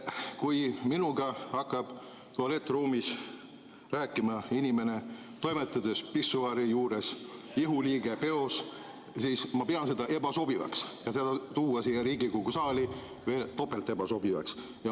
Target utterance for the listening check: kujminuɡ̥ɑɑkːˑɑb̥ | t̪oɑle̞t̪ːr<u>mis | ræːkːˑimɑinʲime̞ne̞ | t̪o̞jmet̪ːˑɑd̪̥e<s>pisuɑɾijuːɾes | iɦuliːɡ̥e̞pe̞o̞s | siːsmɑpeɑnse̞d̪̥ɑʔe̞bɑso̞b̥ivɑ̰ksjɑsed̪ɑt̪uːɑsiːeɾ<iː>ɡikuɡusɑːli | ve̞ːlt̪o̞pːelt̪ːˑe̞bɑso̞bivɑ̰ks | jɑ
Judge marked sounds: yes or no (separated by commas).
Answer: no, yes, yes